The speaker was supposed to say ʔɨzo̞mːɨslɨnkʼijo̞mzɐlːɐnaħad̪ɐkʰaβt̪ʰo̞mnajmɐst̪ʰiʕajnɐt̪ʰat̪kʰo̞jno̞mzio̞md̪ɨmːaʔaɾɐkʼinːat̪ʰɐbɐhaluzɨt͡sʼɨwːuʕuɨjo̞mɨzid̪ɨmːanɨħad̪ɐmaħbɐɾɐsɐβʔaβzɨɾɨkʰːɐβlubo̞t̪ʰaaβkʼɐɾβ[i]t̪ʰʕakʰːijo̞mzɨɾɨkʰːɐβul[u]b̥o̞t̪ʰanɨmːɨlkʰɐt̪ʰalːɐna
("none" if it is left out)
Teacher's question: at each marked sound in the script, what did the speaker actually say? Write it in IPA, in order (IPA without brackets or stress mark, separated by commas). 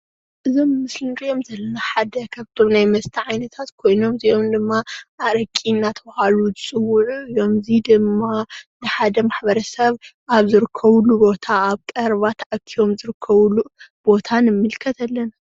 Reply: a, u